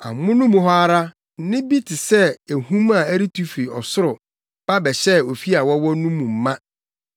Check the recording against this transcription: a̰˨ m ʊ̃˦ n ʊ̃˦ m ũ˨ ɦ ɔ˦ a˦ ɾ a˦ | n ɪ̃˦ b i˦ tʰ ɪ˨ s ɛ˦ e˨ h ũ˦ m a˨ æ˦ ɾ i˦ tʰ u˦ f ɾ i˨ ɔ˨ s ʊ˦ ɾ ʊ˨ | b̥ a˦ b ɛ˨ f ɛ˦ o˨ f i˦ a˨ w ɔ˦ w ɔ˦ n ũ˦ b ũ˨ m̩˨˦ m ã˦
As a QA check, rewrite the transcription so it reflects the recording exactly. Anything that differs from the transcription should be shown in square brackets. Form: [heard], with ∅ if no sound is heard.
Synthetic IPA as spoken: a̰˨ m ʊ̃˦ n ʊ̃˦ m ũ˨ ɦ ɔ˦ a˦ ɾ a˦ | n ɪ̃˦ b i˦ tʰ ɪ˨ s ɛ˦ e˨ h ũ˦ m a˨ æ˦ ɾ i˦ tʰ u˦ f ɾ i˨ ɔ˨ s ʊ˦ ɾ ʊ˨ | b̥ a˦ b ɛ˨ [ɕ] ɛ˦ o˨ f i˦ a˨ w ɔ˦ w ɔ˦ n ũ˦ [m] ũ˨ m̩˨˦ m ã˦

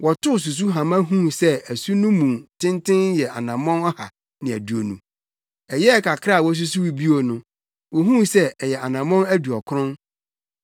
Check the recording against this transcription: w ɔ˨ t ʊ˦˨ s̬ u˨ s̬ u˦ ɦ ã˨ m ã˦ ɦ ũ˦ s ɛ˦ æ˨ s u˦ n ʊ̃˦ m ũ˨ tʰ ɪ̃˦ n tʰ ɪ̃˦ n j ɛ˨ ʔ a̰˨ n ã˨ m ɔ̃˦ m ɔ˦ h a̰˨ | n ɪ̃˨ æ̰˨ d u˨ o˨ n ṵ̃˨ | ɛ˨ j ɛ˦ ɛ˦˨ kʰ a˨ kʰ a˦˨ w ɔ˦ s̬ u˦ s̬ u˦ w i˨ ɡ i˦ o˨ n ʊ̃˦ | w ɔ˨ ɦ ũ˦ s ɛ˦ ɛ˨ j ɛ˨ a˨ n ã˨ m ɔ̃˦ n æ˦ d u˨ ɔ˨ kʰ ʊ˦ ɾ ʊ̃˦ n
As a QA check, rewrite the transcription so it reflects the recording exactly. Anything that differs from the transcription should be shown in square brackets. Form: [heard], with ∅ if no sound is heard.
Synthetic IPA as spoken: w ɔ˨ t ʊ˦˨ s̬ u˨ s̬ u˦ ɦ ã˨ m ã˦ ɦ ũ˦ s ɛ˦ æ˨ s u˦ n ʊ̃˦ m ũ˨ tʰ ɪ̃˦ n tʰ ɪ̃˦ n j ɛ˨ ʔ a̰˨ n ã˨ m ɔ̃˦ [n] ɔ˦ h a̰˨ | n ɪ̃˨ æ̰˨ d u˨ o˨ n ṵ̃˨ | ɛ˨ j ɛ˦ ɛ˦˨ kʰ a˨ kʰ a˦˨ w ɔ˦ s̬ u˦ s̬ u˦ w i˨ [b] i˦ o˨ n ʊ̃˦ | w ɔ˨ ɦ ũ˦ s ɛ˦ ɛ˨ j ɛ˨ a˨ n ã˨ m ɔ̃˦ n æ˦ d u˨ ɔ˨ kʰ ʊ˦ ɾ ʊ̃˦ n

